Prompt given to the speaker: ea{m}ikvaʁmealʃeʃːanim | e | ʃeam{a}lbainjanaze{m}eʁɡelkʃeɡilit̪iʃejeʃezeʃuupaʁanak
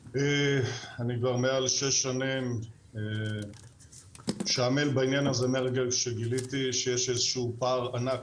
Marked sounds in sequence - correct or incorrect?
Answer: incorrect, incorrect, correct

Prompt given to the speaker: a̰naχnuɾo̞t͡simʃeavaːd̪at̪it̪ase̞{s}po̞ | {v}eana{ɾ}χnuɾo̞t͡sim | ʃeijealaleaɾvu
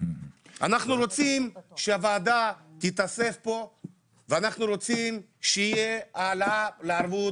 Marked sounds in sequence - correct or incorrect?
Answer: incorrect, correct, incorrect

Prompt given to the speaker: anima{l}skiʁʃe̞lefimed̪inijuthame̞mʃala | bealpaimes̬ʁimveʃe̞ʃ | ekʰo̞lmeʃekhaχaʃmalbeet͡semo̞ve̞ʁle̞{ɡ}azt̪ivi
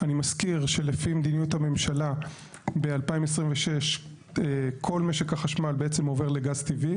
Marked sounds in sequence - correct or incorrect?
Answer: incorrect, correct

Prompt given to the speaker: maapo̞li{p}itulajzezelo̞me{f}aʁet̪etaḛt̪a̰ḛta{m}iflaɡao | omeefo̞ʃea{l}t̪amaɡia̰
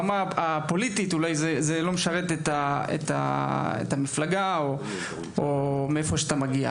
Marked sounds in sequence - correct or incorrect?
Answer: incorrect, incorrect, correct, incorrect

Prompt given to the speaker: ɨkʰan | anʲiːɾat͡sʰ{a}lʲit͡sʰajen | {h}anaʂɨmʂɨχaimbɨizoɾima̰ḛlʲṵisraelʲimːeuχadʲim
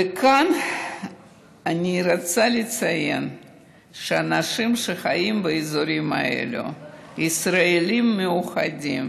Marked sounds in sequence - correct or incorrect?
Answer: correct, incorrect

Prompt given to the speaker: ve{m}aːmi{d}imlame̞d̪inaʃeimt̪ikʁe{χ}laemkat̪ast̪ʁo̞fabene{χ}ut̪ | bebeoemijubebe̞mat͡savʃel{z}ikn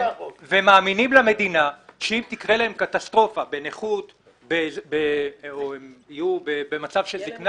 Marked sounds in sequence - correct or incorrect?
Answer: correct, incorrect, incorrect, correct, correct

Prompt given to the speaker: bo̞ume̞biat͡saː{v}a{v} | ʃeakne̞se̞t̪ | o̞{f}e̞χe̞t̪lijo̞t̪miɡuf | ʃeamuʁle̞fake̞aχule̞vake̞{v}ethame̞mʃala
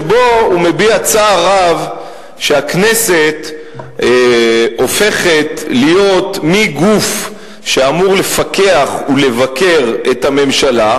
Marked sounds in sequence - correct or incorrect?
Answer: incorrect, correct, correct, incorrect

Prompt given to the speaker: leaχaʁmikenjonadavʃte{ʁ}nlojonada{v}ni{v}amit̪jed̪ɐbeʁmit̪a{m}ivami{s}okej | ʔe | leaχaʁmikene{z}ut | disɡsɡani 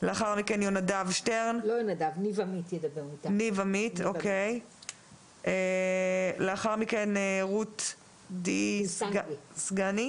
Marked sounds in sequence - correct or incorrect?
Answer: correct, correct, correct, incorrect, incorrect, incorrect

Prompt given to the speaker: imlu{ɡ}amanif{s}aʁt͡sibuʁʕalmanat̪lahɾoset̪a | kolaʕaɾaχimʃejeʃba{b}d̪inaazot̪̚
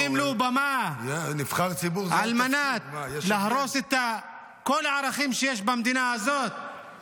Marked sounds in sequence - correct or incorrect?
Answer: incorrect, incorrect, incorrect

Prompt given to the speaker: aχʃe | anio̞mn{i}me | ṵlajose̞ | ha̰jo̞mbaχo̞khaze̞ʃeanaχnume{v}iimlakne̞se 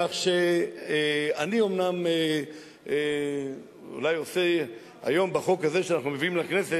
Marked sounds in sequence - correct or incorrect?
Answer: incorrect, correct

